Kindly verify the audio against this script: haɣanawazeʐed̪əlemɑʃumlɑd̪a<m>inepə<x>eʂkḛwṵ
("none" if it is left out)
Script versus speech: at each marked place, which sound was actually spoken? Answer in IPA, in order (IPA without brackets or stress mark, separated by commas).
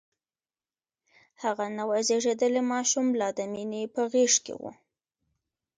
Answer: m, ɣ